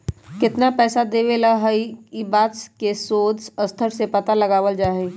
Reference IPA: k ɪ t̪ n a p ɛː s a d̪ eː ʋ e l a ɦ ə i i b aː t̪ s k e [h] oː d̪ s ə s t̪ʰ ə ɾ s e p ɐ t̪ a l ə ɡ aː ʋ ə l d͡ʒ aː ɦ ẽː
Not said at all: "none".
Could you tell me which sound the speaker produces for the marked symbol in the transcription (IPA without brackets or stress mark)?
s